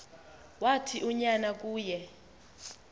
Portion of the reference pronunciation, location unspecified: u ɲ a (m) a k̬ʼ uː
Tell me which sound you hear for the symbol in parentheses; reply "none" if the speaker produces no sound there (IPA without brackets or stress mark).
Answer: n